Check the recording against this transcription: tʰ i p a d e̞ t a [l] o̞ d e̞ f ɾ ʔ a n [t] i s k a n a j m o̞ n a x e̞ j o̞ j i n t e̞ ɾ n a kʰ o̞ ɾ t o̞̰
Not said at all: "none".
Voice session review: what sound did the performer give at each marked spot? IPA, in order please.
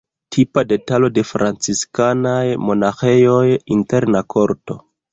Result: l, t͡s

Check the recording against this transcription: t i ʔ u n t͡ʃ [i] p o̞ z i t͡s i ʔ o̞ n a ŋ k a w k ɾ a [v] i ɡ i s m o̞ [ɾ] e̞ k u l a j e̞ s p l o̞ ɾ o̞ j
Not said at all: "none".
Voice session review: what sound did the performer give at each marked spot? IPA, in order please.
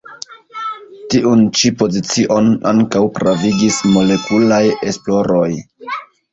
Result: i, v, l

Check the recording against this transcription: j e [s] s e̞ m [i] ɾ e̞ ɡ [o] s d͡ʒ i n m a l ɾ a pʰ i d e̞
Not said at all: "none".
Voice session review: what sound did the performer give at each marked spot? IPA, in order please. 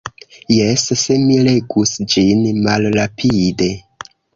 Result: s, i, u

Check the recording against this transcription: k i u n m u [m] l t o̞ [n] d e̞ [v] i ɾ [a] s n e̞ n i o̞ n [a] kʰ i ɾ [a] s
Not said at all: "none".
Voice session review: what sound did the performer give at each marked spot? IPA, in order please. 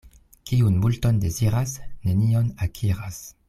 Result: none, n, z, a, a, a

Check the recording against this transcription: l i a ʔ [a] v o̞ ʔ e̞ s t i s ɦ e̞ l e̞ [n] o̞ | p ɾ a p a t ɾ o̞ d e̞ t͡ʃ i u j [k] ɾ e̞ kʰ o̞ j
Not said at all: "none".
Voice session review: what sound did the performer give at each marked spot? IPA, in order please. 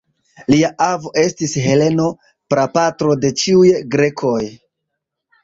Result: a, n, ɡ

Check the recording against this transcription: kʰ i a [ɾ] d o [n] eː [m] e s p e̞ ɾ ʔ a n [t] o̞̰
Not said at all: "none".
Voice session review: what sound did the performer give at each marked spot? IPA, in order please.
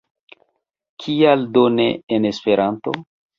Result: l, n, n, t

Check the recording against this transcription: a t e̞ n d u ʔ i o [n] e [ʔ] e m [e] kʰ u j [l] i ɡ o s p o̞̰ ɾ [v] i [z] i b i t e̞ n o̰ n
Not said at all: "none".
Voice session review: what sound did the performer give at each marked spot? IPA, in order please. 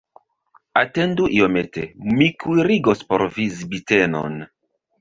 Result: m, t, i, ɾ, v, z

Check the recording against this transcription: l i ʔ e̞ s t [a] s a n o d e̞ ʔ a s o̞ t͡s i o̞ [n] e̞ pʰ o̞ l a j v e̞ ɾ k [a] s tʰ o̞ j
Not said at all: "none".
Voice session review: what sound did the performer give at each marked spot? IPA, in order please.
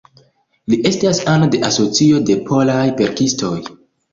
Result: a, d, i

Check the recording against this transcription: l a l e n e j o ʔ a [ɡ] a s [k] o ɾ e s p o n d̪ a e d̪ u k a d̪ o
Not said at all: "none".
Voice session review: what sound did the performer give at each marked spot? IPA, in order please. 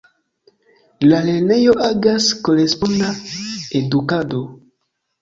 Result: ɡ, k

